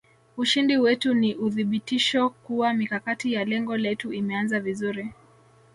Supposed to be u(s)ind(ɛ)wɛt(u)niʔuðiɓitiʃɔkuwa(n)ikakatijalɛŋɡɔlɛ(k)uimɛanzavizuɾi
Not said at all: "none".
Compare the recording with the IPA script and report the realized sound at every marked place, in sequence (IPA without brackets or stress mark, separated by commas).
ʃ, i, u, m, t